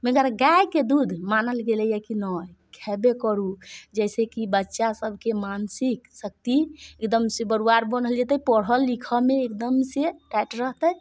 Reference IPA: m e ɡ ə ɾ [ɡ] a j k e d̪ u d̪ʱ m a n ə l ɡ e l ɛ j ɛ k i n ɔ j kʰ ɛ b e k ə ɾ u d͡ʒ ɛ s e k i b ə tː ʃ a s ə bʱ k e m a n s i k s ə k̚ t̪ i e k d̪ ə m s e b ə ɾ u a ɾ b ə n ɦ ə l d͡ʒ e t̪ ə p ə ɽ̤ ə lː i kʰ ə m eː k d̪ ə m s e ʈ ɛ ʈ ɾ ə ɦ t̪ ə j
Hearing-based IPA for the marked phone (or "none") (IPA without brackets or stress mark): ɡ